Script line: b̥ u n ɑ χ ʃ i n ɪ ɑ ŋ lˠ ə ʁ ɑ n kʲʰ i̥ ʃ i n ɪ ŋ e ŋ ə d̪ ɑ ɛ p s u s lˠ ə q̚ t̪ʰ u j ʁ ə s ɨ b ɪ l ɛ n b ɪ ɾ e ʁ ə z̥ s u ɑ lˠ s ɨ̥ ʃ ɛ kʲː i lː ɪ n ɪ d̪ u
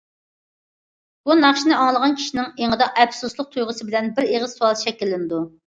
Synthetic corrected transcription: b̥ u n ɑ χ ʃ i n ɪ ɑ ŋ lˠ ə ʁ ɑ n kʲʰ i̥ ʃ i n ɪ ŋ e ŋ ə d̪ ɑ ɛ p s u s lˠ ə q̚ t̪ʰ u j ʁ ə s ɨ b ɪ l ɛ n b ɪ ɾ e ʁ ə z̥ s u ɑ lˠ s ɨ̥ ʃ ɛ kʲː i lː ɪ n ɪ d̪ u